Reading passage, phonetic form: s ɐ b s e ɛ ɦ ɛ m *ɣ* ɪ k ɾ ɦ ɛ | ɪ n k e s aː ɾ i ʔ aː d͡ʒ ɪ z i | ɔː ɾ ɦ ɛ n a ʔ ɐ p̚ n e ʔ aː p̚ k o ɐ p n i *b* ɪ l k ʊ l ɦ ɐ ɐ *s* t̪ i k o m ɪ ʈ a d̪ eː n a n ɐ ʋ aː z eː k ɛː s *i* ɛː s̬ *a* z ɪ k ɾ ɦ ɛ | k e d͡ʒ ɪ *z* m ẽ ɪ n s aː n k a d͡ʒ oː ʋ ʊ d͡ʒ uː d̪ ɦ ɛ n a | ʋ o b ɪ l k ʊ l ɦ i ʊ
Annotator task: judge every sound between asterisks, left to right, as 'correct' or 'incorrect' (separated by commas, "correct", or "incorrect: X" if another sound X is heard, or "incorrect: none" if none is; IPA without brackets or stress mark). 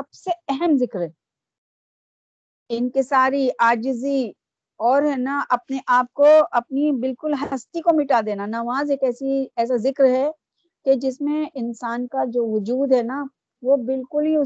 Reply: incorrect: z, correct, correct, correct, correct, incorrect: s